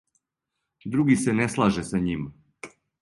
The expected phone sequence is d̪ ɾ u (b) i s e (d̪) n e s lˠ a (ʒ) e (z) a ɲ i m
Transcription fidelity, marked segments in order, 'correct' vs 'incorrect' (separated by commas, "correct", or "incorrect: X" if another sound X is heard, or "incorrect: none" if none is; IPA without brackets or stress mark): incorrect: ɡ, incorrect: none, correct, incorrect: s